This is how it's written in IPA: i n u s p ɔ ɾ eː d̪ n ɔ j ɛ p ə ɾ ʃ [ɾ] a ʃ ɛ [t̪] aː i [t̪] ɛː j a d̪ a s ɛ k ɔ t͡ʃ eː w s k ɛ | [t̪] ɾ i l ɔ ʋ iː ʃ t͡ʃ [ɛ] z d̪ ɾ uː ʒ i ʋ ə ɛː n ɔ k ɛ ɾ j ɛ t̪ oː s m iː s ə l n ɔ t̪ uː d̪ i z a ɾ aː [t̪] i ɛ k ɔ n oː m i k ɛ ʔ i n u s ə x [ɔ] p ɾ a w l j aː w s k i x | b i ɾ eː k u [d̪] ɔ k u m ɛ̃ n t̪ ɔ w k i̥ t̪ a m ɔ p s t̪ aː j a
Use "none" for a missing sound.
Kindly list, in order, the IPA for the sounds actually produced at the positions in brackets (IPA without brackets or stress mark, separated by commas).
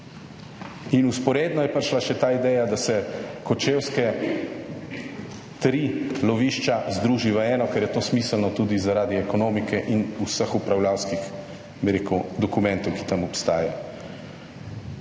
l, t̪, d̪, t̪, a, d̪, u, d̪